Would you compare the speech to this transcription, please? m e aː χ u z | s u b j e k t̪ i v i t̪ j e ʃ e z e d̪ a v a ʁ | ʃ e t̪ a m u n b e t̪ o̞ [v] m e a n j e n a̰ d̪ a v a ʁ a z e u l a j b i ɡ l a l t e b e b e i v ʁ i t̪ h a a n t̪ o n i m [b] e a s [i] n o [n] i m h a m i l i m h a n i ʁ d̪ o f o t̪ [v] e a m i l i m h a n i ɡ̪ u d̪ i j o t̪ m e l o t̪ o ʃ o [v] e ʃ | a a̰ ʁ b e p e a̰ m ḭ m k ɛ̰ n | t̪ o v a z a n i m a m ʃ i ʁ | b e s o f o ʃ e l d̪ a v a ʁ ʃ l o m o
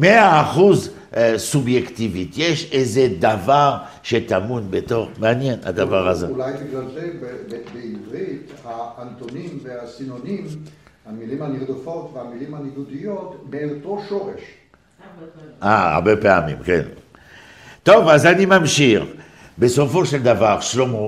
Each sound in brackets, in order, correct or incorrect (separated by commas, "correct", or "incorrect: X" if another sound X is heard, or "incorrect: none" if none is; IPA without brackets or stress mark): incorrect: ʁ, incorrect: v, correct, correct, correct, incorrect: ʁ